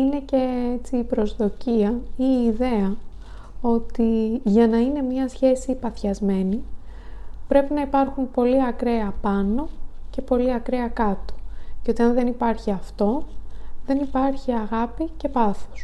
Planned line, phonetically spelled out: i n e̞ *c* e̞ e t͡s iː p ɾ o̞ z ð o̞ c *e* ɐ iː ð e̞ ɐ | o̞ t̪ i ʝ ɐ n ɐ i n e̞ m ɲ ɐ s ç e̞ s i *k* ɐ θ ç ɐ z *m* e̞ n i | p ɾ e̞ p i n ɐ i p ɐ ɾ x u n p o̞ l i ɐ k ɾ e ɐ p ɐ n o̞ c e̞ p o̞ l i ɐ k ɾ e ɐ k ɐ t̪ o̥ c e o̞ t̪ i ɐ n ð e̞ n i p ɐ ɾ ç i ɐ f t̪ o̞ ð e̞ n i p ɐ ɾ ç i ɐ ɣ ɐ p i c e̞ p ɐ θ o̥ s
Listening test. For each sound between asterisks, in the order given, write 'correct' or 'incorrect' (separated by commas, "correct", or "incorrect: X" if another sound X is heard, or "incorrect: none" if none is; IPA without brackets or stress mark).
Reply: correct, incorrect: i, incorrect: p, correct